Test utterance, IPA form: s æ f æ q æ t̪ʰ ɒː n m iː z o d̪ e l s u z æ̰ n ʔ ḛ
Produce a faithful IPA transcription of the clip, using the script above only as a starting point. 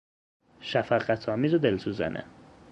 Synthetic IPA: ʃ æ f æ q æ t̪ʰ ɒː m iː z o d̪ e l s u z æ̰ n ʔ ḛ

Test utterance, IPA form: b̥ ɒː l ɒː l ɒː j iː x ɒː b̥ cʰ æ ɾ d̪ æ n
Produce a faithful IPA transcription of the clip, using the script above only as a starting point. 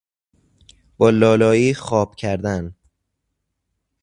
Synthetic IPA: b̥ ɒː l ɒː l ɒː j iː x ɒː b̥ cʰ æ ɾ d̪ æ n

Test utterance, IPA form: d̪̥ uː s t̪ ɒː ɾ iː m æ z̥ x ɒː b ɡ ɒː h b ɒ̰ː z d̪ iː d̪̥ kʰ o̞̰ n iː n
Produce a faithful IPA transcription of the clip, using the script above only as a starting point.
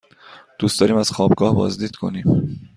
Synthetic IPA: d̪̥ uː s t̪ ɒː ɾ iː m æ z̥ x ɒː b ɡ ɒː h b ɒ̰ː z d̪ iː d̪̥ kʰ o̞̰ n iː m

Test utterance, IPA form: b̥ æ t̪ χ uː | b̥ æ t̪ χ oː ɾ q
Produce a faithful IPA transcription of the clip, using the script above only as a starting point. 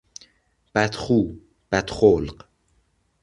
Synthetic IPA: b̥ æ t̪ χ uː | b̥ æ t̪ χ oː l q

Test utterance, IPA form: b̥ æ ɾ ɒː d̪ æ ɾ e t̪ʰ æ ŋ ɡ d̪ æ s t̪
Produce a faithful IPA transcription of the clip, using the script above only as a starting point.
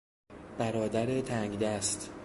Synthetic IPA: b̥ æ ɾ ɒː d̪ æ ɾ e t̪ʰ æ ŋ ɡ d̪ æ s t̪

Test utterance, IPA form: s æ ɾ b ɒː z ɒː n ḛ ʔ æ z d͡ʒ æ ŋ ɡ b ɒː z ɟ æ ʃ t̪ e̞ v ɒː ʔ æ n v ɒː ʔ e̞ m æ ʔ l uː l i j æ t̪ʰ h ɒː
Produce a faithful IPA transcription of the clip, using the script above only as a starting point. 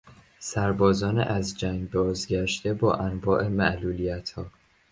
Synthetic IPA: s æ ɾ b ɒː z ɒː n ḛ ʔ æ z d͡ʒ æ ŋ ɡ b ɒː z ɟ æ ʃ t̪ e̞ b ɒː ʔ æ n v ɒː ʔ e̞ m æ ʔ l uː l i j æ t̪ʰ h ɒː

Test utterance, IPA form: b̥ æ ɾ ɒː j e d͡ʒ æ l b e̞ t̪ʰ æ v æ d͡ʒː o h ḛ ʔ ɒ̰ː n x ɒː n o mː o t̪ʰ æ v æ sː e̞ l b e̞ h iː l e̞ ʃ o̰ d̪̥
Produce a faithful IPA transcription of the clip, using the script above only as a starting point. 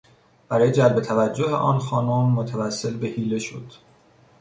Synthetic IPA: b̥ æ ɾ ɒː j e d͡ʒ æ l b e̞ t̪ʰ æ v æ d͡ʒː o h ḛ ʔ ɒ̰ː n x ɒː n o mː o t̪ʰ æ v æ sː e̞ l b e̞ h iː l e̞ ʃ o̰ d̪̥

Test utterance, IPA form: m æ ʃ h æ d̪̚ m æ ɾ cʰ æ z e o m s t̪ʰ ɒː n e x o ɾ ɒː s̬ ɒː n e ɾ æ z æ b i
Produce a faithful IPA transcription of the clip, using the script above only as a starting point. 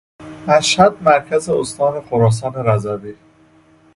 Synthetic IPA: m æ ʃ h æ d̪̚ m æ ɾ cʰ æ z e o s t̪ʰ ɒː n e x o ɾ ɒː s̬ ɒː n e ɾ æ z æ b i

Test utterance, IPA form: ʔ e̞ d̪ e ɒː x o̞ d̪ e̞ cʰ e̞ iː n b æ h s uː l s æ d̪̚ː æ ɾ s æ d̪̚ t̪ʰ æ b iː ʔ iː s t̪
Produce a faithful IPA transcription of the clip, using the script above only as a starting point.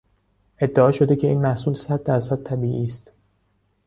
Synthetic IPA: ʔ e̞ d̪ː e ɒː ʃ o̞ d̪ e̞ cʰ e̞ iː n m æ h s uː l s æ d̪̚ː æ ɾ s æ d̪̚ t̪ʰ æ b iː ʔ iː s t̪

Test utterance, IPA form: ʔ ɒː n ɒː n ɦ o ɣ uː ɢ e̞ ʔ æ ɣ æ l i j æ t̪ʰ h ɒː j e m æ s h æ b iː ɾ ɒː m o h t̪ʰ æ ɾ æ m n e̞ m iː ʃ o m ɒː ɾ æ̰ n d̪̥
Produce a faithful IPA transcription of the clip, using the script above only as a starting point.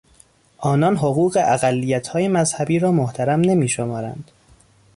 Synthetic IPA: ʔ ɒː n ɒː n ɦ o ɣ uː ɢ e̞ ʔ æ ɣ æ lː i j æ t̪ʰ h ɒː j e m æ z h æ b iː ɾ ɒː m o h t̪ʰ æ ɾ æ m n e̞ m iː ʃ o m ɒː ɾ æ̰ n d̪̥

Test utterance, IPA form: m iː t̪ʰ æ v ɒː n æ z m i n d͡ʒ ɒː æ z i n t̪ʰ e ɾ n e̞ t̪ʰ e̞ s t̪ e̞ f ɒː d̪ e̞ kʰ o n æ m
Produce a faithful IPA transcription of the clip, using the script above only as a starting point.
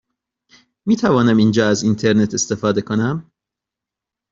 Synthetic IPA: m iː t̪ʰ æ v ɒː n æ m i n d͡ʒ ɒː æ z i n t̪ʰ e ɾ n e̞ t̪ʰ e̞ s t̪ e̞ f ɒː d̪ e̞ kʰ o n æ m

